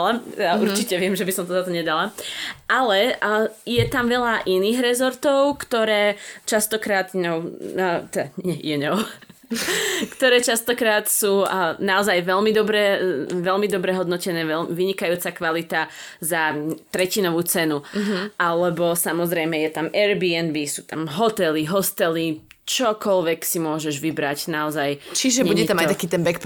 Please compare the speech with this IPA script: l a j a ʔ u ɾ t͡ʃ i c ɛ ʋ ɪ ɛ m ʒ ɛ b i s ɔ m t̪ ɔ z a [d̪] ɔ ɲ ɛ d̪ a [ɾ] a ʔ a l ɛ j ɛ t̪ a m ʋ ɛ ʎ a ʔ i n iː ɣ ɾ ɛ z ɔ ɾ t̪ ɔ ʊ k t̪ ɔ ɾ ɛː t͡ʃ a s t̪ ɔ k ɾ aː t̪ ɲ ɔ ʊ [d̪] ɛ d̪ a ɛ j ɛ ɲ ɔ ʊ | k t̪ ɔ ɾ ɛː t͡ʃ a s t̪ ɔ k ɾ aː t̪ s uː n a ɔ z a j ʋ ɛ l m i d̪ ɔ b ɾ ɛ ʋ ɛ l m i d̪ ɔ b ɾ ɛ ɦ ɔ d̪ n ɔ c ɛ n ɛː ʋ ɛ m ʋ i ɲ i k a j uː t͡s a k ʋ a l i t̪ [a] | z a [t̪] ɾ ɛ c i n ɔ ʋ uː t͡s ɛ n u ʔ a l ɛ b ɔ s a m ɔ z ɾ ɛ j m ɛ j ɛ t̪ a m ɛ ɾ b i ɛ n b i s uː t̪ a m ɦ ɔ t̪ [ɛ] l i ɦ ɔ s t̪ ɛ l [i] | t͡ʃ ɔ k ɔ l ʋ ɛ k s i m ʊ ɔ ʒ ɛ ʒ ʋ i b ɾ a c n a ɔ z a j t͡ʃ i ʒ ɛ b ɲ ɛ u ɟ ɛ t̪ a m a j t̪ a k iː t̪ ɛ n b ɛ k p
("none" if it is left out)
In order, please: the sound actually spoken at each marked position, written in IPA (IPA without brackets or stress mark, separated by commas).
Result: t̪, l, t̪, a, t̪, ɛ, i